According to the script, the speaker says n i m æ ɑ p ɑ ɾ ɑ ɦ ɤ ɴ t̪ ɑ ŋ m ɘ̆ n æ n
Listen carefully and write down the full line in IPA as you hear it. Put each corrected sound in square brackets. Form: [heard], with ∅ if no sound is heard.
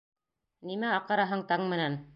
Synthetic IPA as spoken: n i m æ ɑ [q] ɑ ɾ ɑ ɦ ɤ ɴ t̪ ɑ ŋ m ɘ̆ n æ n